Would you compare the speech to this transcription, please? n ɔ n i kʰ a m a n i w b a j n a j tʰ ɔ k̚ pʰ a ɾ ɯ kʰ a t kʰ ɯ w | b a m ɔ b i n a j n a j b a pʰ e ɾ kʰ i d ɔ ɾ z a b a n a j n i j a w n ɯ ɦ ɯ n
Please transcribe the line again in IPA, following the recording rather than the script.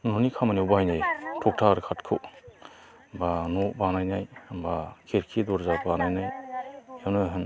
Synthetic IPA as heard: n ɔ n i kʰ a m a n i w b a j n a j tʰ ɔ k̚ tʰ a ɾ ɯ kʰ a t kʰ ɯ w | b a n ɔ b a n a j n a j b a kʰ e ɾ kʰ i d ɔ ɾ z a b a n a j n a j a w n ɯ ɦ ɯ n